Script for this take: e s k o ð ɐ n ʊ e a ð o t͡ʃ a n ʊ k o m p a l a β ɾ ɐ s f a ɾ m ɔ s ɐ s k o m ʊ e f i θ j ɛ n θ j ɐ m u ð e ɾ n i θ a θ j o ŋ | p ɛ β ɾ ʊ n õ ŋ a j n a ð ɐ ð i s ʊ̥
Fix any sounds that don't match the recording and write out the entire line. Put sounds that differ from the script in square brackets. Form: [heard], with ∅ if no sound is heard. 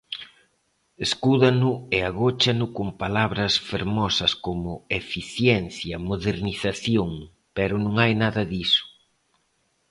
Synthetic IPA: e s k [u] ð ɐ n ʊ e a [ɣ] o t͡ʃ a n ʊ k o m p a l a β ɾ ɐ s f [e] ɾ m ɔ s ɐ s k o m ʊ e f i θ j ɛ n θ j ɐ m [o] ð e ɾ n i θ a θ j o ŋ | p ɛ [∅] ɾ ʊ n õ ŋ a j n a ð ɐ ð i s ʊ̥